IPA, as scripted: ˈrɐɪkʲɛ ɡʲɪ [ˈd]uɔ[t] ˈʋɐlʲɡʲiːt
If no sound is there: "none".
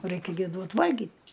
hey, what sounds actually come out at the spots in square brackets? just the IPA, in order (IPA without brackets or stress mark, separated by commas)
d, t